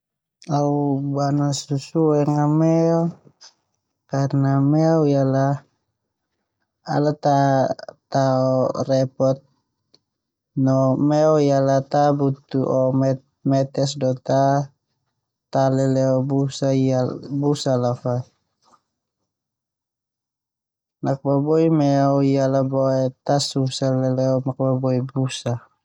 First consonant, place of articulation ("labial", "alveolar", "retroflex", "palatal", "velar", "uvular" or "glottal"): labial